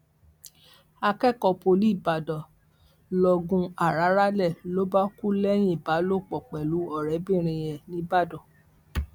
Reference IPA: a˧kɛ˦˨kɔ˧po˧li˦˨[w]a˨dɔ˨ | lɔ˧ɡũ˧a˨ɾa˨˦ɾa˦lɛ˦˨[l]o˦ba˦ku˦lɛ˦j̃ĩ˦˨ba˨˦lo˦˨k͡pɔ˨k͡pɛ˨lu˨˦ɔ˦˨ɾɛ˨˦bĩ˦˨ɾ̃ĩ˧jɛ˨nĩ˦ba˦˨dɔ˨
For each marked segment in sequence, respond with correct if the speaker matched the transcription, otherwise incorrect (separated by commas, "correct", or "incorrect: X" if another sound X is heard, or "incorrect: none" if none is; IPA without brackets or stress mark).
incorrect: b, correct